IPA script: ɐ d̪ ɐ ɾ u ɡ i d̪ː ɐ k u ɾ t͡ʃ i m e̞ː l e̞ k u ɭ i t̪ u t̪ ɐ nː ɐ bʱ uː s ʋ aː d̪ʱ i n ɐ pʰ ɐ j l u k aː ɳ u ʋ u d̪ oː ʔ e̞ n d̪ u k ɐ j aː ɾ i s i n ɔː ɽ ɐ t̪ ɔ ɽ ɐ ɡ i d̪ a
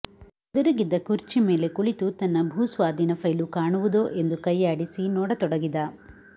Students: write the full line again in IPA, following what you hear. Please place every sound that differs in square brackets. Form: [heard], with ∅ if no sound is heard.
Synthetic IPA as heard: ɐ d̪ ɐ ɾ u ɡ i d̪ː ɐ k u ɾ t͡ʃ i m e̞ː l e̞ k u ɭ i t̪ u t̪ ɐ nː ɐ bʱ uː s ʋ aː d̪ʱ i n ɐ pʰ ɐ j l u k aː ɳ u ʋ u d̪ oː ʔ e̞ n d̪ u k ɐ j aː [ɽ] i s i n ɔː ɽ ɐ t̪ ɔ ɽ ɐ ɡ i d̪ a